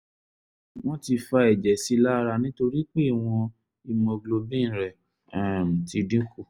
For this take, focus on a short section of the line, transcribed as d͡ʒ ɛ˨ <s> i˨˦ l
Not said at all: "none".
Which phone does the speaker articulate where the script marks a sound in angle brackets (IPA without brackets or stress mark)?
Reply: s